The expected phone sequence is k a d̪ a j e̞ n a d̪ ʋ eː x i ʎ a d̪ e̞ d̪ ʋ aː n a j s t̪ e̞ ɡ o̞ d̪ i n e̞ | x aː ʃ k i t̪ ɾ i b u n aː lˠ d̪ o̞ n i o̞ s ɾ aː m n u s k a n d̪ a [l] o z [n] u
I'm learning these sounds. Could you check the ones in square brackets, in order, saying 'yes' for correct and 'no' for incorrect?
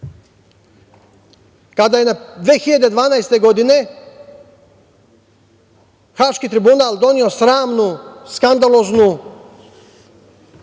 yes, yes

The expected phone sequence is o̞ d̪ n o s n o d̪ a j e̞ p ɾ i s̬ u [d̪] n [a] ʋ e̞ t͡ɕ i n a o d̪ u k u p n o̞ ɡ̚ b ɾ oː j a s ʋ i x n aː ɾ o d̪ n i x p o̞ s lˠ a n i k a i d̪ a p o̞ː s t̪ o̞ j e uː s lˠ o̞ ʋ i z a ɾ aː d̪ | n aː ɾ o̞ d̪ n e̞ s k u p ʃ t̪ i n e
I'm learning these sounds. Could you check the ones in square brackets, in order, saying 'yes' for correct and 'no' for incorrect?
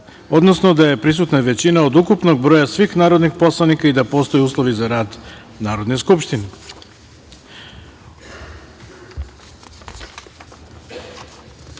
no, yes

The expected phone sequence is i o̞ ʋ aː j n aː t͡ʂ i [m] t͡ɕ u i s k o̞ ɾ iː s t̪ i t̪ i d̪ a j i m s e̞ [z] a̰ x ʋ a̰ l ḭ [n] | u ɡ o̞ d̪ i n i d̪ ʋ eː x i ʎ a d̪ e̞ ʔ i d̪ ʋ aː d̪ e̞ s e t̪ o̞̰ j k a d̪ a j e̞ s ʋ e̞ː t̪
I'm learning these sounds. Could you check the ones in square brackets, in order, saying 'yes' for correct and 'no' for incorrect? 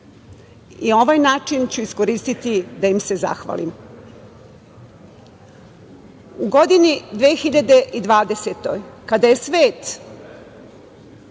no, yes, no

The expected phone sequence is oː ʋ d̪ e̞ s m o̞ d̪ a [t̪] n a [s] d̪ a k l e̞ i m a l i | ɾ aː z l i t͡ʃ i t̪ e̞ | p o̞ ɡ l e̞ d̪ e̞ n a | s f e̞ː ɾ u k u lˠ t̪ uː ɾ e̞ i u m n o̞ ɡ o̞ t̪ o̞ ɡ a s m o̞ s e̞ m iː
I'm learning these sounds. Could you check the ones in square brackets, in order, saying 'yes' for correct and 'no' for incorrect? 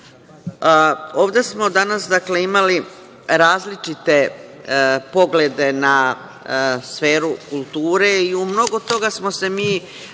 no, yes

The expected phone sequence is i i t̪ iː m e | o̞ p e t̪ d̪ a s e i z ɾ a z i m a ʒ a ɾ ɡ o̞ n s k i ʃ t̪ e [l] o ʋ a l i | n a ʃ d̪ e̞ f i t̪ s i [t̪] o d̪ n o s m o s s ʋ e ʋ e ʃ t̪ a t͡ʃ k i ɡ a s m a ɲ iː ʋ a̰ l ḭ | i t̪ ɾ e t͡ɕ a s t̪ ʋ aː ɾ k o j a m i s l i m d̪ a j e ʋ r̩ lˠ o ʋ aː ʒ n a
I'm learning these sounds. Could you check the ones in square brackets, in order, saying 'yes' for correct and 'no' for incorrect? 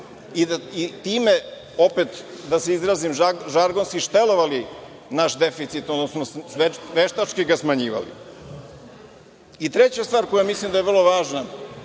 yes, yes

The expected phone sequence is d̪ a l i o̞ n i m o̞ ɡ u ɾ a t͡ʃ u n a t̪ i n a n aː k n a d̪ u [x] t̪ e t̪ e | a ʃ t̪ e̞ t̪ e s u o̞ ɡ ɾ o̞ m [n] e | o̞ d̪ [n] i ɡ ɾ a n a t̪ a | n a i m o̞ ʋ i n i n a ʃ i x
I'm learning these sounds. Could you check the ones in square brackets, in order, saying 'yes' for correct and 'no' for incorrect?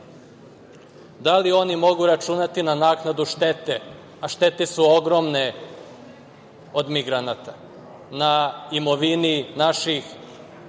no, yes, no

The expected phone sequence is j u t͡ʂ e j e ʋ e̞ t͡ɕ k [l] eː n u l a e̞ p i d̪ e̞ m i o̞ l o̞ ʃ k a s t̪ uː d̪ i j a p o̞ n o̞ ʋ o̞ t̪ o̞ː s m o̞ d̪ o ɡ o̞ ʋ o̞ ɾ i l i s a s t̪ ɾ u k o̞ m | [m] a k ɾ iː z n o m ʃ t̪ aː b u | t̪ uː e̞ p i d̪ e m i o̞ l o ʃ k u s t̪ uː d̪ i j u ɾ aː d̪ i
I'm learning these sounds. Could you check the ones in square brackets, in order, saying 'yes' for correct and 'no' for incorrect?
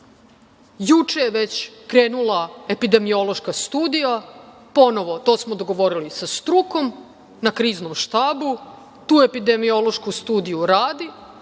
no, no

